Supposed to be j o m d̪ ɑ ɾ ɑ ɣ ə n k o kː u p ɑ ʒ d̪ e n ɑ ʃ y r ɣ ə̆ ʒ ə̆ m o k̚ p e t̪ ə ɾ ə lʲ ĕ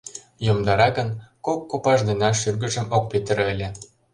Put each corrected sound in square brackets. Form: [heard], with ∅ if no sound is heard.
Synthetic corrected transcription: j o m d̪ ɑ ɾ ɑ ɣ ə n k o kː [o] p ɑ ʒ d̪ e n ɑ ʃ y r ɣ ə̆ ʒ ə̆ m o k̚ p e t̪ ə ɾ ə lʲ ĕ